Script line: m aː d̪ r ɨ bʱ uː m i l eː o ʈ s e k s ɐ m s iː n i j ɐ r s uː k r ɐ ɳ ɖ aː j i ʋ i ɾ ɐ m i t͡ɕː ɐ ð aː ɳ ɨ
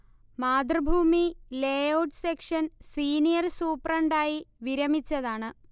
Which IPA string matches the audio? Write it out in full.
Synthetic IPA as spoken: m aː d̪ r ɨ bʱ uː m i l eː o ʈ s e k ʂ ɐ n s iː n i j ɐ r s uː p r ɐ ɳ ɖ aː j i ʋ i ɾ ɐ m i t͡ɕː ɐ ð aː ɳ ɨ